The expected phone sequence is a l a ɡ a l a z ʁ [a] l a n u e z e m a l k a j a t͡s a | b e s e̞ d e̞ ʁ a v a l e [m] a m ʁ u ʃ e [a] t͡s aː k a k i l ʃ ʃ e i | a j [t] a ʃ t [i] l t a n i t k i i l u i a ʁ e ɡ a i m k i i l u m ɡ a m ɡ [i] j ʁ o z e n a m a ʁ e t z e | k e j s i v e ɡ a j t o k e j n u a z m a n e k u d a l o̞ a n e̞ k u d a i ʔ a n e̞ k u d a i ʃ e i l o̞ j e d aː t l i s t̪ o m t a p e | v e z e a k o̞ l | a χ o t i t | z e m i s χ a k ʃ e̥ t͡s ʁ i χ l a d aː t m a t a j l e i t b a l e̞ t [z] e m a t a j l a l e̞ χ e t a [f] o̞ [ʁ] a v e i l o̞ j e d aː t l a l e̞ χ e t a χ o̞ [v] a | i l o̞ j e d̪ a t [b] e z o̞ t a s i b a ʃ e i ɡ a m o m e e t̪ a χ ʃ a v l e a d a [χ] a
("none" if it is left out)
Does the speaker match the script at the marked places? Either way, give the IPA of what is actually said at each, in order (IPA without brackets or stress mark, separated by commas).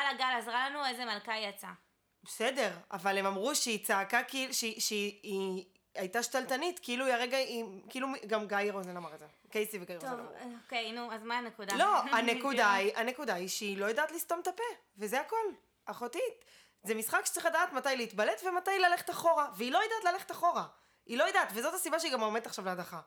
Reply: a, m, i, t, a, a, v, χ, ʁ, ʁ, v, χ